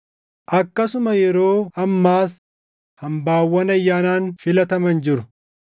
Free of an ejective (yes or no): yes